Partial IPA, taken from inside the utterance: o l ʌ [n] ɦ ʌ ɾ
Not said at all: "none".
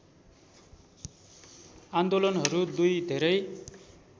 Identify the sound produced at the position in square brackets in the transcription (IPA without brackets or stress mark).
n